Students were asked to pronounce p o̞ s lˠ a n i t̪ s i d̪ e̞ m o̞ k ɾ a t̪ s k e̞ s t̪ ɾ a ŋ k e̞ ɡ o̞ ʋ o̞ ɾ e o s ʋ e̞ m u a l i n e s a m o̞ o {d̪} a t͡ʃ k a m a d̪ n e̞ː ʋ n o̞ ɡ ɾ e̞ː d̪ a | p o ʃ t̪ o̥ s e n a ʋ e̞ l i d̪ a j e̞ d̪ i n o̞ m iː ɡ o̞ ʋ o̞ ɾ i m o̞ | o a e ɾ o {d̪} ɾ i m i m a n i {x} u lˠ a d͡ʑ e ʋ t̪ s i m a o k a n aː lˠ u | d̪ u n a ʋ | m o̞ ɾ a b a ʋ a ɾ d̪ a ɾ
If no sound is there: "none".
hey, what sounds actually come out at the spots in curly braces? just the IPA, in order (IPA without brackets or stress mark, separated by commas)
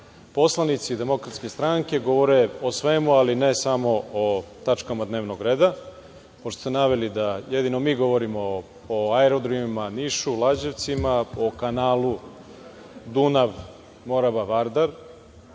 t̪, d̪, ʃ